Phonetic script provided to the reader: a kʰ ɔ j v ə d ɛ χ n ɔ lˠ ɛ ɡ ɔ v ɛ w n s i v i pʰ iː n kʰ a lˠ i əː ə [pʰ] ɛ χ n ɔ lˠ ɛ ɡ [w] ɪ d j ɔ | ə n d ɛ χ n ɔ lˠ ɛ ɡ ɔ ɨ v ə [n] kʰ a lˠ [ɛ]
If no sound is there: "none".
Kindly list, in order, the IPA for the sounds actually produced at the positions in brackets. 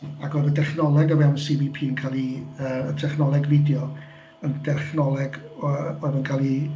tʰ, v, n, i

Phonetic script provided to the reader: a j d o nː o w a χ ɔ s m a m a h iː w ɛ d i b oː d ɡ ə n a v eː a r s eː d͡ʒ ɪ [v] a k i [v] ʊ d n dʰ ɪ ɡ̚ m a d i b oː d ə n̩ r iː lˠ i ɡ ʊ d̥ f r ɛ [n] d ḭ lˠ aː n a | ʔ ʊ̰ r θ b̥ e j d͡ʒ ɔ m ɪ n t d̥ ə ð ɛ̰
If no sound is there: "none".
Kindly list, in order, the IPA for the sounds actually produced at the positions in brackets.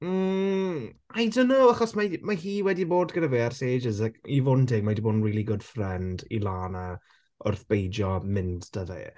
z, v, n

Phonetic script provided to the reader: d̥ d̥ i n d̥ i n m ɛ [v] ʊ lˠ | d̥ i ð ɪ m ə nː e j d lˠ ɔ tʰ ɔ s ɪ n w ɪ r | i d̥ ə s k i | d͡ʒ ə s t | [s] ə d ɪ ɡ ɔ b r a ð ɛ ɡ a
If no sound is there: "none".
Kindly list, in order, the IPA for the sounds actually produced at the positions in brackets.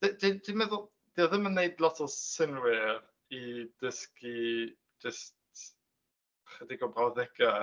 ð, χ

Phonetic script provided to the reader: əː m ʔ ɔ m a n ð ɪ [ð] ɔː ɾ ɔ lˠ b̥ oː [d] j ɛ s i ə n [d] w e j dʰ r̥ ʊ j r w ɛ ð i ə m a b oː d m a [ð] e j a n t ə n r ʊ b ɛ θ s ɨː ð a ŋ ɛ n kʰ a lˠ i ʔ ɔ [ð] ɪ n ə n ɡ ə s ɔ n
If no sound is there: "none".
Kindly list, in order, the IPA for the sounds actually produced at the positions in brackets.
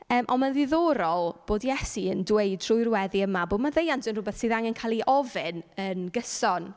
ð, d, d, ð, v

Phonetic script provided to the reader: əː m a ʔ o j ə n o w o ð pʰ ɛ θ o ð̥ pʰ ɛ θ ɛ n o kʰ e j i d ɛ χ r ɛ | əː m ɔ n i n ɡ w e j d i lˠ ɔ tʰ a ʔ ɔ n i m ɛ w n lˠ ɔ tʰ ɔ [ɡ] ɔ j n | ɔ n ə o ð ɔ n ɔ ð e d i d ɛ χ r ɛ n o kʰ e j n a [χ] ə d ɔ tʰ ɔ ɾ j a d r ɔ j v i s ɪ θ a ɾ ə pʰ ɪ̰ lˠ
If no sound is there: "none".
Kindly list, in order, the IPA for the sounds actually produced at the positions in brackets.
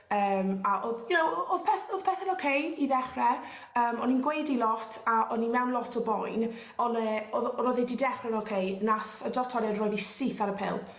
b, θ

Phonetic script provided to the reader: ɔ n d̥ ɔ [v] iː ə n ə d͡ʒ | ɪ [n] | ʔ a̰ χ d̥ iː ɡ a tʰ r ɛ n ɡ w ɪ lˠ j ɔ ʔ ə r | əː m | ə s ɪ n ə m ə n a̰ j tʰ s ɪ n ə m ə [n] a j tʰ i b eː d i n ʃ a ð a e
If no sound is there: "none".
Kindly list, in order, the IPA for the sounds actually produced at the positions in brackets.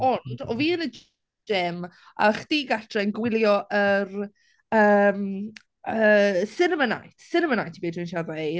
v, m, n

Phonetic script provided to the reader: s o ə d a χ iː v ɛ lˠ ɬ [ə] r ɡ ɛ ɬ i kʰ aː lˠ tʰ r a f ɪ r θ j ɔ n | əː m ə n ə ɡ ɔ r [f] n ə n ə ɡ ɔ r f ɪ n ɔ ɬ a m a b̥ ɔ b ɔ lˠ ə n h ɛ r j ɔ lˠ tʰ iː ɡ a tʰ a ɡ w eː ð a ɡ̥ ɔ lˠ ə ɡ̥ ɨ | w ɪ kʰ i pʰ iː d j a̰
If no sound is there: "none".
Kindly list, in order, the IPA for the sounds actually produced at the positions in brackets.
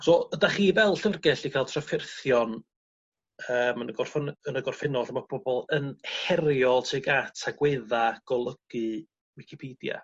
ə, f

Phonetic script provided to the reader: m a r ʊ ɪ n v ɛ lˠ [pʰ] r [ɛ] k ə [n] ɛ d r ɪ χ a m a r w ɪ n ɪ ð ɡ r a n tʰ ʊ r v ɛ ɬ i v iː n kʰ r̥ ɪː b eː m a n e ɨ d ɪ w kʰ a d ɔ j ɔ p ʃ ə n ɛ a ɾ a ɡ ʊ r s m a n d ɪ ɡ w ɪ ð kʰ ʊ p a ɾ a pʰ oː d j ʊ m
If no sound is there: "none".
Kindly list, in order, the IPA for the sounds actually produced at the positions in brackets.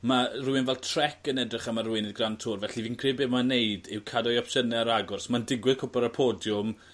tʰ, ɛ, n

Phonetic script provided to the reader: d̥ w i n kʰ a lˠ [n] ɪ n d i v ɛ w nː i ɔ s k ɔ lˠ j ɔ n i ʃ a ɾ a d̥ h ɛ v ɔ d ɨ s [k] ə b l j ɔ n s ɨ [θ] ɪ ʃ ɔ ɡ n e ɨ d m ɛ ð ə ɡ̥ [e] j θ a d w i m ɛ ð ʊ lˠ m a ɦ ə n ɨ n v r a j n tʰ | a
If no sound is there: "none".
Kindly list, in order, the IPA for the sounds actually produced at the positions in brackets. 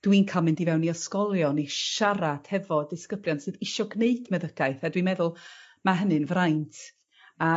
m, k, ð, a

